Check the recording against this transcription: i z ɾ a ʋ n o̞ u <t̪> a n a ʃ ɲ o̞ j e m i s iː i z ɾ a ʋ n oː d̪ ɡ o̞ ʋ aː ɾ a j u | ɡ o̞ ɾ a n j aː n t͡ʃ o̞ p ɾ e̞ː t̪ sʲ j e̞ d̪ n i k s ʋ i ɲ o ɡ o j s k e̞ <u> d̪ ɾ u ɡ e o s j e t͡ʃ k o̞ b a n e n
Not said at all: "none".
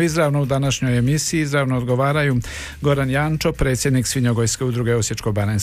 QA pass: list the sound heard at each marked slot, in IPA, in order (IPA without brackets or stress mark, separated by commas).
d̪, u